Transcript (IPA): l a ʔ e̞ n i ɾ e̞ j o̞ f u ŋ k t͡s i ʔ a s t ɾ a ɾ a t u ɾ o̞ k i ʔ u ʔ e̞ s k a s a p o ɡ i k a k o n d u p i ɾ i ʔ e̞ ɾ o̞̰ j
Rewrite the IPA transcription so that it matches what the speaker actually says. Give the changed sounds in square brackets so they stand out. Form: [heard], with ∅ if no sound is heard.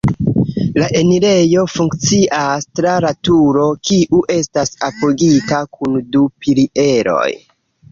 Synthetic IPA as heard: l a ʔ e̞ n i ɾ e̞ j o̞ f u ŋ k t͡s i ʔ a s t ɾ a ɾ a t u ɾ o̞ k i ʔ u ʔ e̞ s [t] a s a p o ɡ i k a k [u] n d u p i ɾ i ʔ e̞ ɾ o̞̰ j